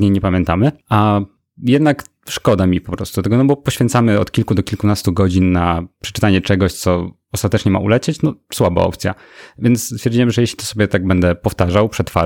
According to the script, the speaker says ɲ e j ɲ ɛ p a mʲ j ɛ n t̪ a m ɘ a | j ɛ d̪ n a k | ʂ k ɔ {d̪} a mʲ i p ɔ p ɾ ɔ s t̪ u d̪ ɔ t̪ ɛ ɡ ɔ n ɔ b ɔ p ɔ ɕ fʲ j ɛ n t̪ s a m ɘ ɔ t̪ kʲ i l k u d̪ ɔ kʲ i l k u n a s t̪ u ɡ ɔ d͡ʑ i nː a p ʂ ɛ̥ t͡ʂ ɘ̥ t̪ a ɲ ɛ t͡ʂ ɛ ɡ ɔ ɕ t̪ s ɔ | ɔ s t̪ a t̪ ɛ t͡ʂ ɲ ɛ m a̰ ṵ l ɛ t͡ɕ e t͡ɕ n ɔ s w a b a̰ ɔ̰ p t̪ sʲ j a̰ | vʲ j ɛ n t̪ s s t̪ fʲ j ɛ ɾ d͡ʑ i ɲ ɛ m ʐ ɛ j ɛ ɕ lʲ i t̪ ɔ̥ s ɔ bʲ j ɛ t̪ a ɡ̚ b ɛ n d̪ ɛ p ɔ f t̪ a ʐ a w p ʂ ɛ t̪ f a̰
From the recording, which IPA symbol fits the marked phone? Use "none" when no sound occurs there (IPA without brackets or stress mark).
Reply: d̪